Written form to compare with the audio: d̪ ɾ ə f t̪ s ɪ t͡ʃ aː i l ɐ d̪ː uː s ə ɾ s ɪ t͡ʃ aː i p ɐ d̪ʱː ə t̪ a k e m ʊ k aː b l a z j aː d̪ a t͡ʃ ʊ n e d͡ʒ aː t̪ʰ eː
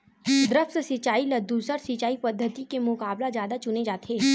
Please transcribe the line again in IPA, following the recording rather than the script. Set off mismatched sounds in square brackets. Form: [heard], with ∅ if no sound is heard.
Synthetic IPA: d̪ ɾ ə f t̪ s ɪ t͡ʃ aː i l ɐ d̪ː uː s ə ɾ s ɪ t͡ʃ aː i p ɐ d̪ʱː ə t̪ [i] k e m ʊ k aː b l a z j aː d̪ a t͡ʃ ʊ n e d͡ʒ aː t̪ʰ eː